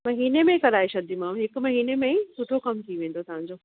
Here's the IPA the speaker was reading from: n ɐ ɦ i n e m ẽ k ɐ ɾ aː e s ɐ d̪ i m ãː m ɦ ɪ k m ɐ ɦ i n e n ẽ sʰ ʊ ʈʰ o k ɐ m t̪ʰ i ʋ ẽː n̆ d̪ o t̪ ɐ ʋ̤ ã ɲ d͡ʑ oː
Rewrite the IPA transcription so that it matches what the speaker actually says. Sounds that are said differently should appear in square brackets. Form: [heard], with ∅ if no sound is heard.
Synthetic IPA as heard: [m] ɐ ɦ [iː] n e m ẽ k ɐ ɾ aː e [ʃ] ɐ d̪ i m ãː m ɦ ɪ k m ɐ ɦ [iː] n e [m] ẽ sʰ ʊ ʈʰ o k ɐ m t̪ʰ i ʋ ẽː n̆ d̪ o t̪ ɐ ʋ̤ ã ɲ d͡ʑ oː